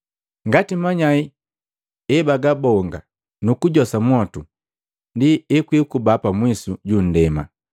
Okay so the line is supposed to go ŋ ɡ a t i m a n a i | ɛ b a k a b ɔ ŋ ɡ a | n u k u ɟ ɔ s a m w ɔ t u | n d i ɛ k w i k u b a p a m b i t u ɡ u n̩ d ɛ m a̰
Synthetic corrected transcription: ŋ ɡ a t i m a ɲ a i | ɛ b a ɡ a b ɔ ŋ ɡ a | n u k u ɟ ɔ s a m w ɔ t u | n d i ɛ k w i k u b a p a m w i s u ɟ u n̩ d ɛ m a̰